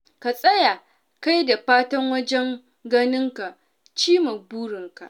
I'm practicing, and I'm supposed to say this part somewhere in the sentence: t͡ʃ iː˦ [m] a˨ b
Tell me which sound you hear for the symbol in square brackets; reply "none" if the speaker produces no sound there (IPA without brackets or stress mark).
m